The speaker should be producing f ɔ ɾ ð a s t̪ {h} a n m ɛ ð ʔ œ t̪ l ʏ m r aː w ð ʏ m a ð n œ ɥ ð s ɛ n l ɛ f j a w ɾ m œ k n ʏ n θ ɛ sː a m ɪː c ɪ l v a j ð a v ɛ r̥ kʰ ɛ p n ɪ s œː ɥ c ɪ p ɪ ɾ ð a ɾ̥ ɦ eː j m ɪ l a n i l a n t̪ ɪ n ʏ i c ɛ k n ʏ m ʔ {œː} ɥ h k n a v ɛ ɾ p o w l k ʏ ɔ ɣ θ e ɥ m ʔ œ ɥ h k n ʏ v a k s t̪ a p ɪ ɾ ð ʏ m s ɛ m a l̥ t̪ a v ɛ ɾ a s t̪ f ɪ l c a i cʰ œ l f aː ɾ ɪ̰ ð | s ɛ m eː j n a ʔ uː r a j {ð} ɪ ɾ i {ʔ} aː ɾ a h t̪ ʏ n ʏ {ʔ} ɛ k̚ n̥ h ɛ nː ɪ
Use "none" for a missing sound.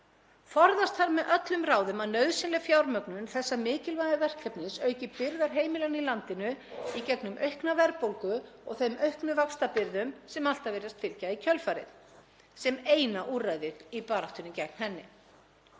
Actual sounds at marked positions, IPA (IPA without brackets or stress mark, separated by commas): h, œ, ð, p, c